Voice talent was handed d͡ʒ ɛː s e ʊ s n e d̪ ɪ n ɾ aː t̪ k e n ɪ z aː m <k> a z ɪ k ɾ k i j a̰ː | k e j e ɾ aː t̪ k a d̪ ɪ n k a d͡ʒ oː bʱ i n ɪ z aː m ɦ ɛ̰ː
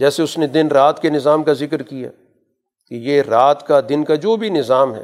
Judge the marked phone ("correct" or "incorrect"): correct